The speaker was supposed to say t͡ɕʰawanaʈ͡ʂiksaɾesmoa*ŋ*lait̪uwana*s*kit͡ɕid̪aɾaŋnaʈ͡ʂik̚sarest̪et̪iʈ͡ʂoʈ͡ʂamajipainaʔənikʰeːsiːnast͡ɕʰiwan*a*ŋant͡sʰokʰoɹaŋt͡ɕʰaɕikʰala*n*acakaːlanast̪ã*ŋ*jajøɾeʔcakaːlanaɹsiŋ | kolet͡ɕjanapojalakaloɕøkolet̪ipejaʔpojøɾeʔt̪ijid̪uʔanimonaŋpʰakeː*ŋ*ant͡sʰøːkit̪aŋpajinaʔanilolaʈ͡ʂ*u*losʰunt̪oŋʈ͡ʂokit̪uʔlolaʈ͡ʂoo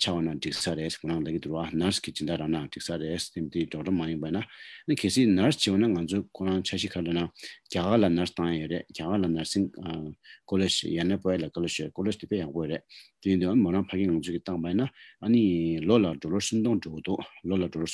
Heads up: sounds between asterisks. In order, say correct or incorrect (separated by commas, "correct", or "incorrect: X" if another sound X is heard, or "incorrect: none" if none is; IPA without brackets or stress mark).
correct, correct, correct, correct, correct, correct, incorrect: o